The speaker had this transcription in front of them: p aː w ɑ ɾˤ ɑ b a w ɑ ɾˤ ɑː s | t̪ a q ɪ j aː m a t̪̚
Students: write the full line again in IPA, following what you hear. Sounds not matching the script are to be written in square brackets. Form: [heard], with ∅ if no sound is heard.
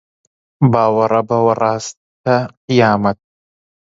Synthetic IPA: [b] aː w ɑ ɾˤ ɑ b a w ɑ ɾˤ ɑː s | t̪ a q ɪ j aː m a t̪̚